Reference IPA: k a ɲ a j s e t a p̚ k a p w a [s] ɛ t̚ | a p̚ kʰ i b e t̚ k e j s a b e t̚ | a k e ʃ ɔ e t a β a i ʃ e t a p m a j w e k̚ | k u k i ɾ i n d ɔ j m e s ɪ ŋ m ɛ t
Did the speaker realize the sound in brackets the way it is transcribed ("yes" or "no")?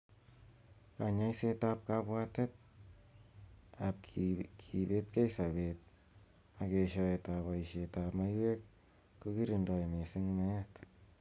no